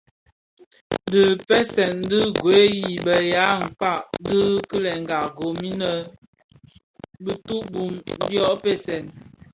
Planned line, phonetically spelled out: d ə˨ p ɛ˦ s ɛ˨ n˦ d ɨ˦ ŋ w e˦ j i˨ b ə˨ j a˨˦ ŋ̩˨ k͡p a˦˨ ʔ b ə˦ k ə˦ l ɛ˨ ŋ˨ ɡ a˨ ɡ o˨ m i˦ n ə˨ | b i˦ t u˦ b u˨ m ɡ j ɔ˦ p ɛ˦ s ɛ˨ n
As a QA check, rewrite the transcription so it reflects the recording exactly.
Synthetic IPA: d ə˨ p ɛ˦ s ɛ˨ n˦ d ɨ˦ ɡ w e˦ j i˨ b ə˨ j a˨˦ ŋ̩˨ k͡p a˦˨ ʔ d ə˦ k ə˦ l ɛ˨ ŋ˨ ɡ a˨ ɡ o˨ m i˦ n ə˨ | b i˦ t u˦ b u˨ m b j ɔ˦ p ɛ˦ s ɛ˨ n